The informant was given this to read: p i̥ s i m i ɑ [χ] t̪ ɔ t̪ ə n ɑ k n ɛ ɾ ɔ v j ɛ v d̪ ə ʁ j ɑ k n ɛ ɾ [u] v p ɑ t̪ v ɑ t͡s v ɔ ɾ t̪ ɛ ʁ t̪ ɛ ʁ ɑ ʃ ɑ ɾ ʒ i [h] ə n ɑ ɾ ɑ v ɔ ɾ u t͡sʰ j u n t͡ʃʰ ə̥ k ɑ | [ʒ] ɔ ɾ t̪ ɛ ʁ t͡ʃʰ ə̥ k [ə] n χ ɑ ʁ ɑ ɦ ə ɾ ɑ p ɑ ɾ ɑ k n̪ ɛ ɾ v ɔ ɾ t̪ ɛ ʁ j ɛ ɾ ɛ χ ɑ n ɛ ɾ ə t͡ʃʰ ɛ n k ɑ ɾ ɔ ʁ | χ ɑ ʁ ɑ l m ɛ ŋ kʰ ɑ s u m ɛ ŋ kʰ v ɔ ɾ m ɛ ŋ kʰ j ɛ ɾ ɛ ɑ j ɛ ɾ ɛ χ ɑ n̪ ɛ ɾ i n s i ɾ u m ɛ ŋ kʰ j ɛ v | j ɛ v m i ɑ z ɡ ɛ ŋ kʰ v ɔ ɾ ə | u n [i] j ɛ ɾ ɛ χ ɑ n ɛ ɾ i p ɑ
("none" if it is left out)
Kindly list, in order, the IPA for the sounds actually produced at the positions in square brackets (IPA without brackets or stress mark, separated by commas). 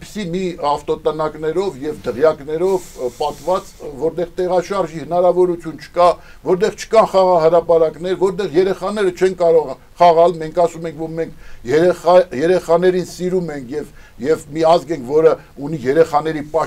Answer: f, ɔ, h, v, ɑ, i